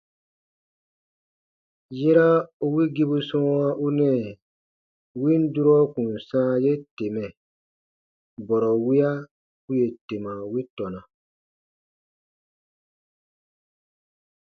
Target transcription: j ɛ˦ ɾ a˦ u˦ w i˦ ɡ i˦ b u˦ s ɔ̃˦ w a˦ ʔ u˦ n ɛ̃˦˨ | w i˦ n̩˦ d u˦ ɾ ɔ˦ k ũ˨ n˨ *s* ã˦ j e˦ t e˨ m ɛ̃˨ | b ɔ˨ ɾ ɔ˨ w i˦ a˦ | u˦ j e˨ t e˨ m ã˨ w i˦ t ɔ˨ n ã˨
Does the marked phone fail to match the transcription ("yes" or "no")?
no